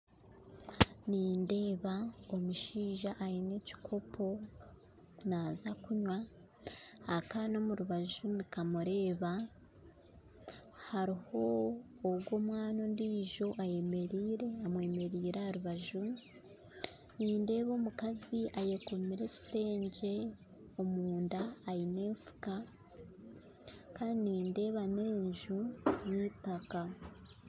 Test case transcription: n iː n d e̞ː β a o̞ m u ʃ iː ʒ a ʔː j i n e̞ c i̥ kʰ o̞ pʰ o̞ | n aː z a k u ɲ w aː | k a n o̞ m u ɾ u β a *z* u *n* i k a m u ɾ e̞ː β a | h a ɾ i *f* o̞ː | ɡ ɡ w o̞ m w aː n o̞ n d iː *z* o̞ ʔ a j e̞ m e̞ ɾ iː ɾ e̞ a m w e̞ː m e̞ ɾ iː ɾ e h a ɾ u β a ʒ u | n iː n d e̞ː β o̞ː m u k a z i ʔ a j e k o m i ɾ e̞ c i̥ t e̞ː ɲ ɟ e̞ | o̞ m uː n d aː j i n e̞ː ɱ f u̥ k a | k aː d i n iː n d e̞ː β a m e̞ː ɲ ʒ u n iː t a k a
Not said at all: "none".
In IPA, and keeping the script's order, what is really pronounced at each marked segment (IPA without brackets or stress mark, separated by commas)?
ʒ, n, h, ʒ